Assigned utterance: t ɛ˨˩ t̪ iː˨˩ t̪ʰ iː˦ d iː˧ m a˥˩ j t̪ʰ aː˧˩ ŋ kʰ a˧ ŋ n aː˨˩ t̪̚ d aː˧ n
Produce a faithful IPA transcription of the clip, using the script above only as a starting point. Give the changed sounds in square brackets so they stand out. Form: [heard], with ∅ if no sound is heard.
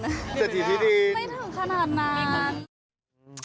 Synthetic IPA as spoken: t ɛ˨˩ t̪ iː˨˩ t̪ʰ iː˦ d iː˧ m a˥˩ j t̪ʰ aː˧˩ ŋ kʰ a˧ [∅] n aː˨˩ t̪̚ [n] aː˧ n